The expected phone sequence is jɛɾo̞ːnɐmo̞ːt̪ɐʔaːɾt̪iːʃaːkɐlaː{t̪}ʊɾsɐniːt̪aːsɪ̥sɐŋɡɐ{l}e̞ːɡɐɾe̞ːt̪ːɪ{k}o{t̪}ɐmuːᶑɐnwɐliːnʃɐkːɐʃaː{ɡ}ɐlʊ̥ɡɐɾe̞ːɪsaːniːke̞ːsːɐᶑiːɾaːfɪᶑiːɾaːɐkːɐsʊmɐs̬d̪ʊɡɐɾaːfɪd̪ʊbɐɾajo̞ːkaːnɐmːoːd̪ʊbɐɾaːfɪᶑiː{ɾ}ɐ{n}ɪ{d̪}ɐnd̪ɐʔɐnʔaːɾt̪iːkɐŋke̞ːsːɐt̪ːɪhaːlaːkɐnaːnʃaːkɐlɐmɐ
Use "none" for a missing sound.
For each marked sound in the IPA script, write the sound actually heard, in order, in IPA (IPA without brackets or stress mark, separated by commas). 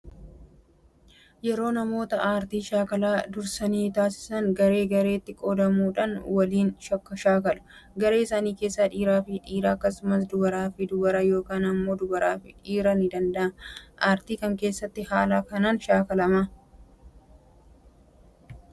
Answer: d̪, ɾ, kʼ, d̪, k, ɾ, n, d̪